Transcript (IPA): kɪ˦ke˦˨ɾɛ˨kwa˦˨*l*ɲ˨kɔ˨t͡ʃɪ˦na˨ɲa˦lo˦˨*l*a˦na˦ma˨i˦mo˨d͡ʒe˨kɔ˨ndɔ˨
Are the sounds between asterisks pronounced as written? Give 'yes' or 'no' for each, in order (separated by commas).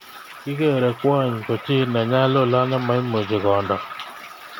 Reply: no, yes